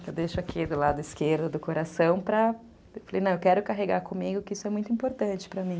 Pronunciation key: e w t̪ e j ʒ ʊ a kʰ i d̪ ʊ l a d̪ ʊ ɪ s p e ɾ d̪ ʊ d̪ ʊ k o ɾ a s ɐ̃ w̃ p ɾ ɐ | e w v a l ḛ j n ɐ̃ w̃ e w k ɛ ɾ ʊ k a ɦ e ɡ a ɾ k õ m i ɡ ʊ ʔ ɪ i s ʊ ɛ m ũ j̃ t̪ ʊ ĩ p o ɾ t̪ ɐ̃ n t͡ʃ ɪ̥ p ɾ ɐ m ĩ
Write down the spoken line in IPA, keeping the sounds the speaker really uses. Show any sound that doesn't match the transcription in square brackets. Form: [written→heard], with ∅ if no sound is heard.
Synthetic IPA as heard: e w [t̪→d̪] e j [ʒ→ʃ] ʊ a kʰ i d̪ ʊ l a d̪ ʊ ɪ s [p→k] e ɾ d̪ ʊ d̪ ʊ k o ɾ a s ɐ̃ w̃ p ɾ ɐ | e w [v→f] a l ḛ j n ɐ̃ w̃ e w k ɛ ɾ ʊ k a ɦ e ɡ a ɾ k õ m i ɡ ʊ [ʔ→k] ɪ i s ʊ ɛ m ũ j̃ t̪ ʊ ĩ p o ɾ t̪ ɐ̃ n t͡ʃ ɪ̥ p ɾ ɐ m ĩ

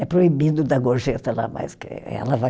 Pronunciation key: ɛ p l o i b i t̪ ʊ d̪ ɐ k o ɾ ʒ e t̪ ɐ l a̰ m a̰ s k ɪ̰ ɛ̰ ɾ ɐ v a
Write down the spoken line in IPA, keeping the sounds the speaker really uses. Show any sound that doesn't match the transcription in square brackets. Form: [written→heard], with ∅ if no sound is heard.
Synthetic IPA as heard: ɛ p [l→ɾ] o i b i [t̪→d̪] ʊ d̪ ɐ [k→ɡ] o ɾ ʒ e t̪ ɐ l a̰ m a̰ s k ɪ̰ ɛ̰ [ɾ→l] ɐ v a

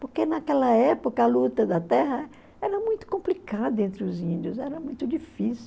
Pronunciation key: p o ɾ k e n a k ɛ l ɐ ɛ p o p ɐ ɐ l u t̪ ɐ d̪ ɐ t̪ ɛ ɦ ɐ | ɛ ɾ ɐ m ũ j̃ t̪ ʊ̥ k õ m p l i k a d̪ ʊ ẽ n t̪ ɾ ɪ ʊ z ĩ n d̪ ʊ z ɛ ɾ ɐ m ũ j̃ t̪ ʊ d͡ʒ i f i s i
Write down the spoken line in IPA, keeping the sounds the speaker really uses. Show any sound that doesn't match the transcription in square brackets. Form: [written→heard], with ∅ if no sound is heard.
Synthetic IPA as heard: p o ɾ k e n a k ɛ l ɐ ɛ p o [p→k] ɐ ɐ l u t̪ ɐ d̪ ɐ t̪ ɛ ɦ ɐ | ɛ ɾ ɐ m ũ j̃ t̪ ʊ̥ k õ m p l i k a d̪ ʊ ẽ n t̪ ɾ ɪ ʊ z ĩ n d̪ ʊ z ɛ ɾ ɐ m ũ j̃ t̪ ʊ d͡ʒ i f i s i

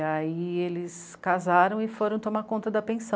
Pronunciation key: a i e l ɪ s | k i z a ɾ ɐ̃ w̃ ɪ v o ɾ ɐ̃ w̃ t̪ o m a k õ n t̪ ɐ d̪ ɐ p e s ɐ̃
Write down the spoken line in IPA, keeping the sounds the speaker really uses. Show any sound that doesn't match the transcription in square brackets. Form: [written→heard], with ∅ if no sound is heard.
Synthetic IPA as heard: a i e l ɪ s | k [i→a] z a ɾ ɐ̃ w̃ ɪ [v→f] o ɾ ɐ̃ w̃ t̪ o m a k õ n t̪ ɐ d̪ ɐ p [e→ẽ] s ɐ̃

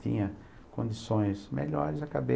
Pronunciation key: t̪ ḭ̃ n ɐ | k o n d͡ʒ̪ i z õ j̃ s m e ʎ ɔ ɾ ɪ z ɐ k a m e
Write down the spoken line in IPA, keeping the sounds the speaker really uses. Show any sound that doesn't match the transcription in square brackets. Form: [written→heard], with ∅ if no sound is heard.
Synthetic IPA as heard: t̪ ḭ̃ [n→ɲ] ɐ | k [o→õ] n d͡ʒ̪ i [z→s] õ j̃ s m e ʎ ɔ ɾ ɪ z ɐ k a [m→b] e

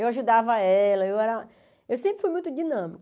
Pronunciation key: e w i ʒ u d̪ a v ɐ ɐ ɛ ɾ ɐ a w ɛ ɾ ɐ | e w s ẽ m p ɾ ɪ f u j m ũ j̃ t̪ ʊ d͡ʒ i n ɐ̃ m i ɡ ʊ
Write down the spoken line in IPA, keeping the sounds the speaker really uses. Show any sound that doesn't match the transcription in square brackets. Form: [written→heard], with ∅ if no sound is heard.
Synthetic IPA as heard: e w [i→a] ʒ u d̪ a v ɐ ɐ ɛ [ɾ→l] ɐ [a→e] w ɛ ɾ ɐ | e w s ẽ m p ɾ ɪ f u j m ũ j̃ t̪ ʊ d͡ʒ i n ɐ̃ m i [ɡ→k] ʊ

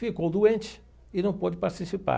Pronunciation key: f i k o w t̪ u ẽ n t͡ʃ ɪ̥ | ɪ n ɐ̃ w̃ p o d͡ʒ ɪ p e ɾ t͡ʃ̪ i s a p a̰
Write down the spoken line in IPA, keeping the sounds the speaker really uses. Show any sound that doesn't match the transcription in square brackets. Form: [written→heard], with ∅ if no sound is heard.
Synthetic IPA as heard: f i k o w [t̪→d̪] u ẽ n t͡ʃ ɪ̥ | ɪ n ɐ̃ w̃ p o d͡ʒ ɪ p [e→a] ɾ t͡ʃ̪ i s [a→i] p a̰

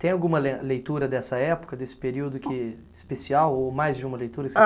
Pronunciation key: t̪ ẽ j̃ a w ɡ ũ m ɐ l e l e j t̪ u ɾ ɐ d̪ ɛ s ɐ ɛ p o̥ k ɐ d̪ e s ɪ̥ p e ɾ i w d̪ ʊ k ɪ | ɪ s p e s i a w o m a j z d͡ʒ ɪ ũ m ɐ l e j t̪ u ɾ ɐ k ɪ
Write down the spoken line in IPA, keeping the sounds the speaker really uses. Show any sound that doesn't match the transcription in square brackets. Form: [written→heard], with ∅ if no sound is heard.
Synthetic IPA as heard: t̪ ẽ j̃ a w ɡ ũ m ɐ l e l e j t̪ u ɾ ɐ d̪ ɛ s ɐ ɛ p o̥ k ɐ d̪ e s ɪ̥ p e ɾ i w d̪ ʊ k ɪ | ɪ s p e s i a w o m a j z d͡ʒ ɪ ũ m ɐ l e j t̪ u ɾ ɐ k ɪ

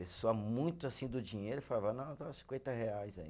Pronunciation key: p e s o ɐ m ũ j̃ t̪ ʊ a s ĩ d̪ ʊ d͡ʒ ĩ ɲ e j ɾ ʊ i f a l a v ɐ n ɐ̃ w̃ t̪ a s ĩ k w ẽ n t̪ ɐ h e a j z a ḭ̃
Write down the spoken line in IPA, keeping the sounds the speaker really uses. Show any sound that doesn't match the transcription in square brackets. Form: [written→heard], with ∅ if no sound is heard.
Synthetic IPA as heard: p e s o ɐ m ũ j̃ t̪ ʊ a s ĩ d̪ ʊ d͡ʒ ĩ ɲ e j ɾ ʊ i f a l a v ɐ n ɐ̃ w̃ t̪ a s ĩ k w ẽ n t̪ ɐ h e a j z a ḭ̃

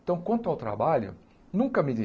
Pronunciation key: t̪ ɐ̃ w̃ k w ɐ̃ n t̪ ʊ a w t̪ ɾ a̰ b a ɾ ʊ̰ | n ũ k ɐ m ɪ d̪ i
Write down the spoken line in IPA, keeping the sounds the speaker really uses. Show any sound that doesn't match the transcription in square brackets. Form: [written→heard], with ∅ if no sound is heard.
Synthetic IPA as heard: t̪ ɐ̃ w̃ k w ɐ̃ n t̪ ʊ a w t̪ ɾ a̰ b a [ɾ→ʎ] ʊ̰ | n ũ k ɐ m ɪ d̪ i

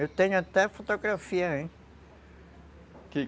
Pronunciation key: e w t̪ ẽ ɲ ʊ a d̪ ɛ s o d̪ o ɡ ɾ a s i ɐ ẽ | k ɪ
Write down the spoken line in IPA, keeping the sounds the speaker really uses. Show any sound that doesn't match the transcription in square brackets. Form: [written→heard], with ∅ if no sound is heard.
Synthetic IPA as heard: e w t̪ ẽ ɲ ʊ a [d̪→t̪] ɛ [s→f] o [d̪→t̪] o ɡ ɾ a [s→f] i ɐ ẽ | k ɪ

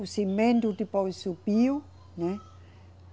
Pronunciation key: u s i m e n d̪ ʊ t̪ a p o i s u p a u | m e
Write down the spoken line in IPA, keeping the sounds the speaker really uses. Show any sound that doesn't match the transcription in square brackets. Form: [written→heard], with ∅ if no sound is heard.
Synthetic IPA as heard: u s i m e n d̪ [ʊ→u] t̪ [a→i] p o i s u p [a→i] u | [m→n] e

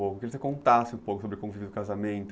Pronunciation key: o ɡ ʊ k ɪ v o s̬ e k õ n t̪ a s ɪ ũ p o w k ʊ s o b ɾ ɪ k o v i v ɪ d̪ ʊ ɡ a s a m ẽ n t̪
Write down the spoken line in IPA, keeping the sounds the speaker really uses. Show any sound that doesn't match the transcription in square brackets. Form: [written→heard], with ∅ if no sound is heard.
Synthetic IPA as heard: o [ɡ→k] ʊ k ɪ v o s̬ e k õ n t̪ a s ɪ ũ p o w k ʊ s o b ɾ ɪ k [o→õ] v i v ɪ d̪ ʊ [ɡ→k] a [s→z] a m ẽ n t̪

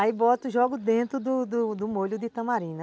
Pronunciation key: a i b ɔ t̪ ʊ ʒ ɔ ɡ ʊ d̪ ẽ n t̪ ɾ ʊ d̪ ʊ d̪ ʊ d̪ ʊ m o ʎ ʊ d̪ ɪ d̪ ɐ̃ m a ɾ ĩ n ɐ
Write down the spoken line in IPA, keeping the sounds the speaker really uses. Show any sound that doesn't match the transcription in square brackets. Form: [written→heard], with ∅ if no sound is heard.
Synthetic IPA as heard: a i b ɔ t̪ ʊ ʒ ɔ ɡ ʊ d̪ ẽ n t̪ ɾ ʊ d̪ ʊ d̪ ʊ d̪ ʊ m o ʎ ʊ d̪ ɪ [d̪→t̪] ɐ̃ m a ɾ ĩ n ɐ

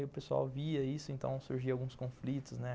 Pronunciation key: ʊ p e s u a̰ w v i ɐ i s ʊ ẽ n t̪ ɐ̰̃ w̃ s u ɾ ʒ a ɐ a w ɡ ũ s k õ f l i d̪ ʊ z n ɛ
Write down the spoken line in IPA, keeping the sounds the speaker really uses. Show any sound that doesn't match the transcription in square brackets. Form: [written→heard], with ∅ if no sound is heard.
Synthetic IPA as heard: ʊ p e s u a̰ w v i ɐ i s ʊ ẽ n t̪ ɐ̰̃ w̃ s u ɾ ʒ [a→i] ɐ a w ɡ ũ s k õ f l i [d̪→t̪] ʊ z n ɛ

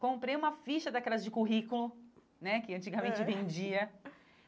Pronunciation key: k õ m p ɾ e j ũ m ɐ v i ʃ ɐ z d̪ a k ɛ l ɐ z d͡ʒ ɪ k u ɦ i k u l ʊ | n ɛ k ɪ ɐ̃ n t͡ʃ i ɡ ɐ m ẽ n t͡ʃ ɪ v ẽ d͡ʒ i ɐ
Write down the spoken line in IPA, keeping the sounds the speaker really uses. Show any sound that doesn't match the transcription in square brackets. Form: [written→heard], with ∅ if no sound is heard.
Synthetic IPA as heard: k õ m p ɾ e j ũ m ɐ [v→f] i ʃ ɐ [z→∅] d̪ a k ɛ l ɐ z d͡ʒ ɪ k u ɦ i k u l ʊ | n ɛ k ɪ ɐ̃ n t͡ʃ i ɡ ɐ m ẽ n t͡ʃ ɪ v ẽ d͡ʒ i ɐ

